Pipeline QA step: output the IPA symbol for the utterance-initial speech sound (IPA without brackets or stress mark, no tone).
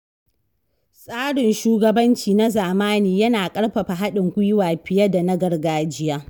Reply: sʼ